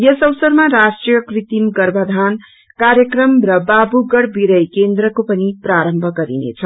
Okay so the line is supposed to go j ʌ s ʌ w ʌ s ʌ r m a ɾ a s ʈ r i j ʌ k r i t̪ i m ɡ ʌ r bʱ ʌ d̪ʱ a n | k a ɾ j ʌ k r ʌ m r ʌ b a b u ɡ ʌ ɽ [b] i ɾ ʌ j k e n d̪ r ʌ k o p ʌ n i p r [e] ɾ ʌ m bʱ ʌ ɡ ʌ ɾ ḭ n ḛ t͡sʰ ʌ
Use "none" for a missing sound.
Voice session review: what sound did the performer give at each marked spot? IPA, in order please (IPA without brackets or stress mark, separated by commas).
b, a